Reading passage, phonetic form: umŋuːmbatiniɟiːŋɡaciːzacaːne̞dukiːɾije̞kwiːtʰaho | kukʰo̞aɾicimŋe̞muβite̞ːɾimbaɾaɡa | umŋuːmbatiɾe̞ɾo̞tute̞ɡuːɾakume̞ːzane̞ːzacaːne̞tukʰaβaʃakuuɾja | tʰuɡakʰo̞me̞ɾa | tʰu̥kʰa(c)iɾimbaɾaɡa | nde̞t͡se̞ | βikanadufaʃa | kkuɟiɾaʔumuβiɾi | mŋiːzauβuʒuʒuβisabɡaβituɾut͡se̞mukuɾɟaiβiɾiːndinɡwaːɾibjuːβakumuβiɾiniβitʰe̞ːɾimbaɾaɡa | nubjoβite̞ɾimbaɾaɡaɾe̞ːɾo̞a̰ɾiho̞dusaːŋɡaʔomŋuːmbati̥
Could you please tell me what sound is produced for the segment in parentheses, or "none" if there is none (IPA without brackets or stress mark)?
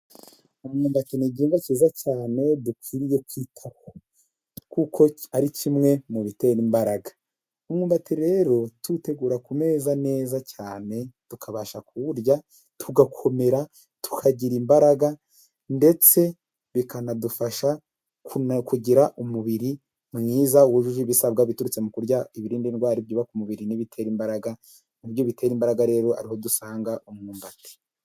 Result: ɟ